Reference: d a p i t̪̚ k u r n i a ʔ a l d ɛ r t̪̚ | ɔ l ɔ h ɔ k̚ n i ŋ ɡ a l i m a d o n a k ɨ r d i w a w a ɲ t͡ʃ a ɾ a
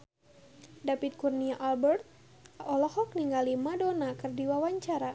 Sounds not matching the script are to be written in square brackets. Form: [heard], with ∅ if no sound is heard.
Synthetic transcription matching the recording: d a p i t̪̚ k u r n i a ʔ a l [b] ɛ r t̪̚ | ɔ l ɔ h ɔ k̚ n i ŋ ɡ a l i m a d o n a k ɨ r d i w a w a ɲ t͡ʃ a ɾ a